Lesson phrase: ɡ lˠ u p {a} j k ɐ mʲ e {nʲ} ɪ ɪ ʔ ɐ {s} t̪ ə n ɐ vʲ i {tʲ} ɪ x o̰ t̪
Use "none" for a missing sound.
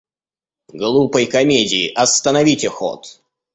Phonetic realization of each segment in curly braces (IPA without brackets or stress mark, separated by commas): ə, dʲ, s, tʲ